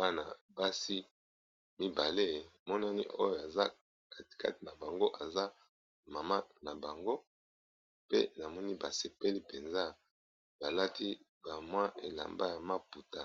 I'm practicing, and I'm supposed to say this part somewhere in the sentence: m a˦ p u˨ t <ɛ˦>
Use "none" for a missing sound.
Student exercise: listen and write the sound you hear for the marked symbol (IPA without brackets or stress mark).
a˦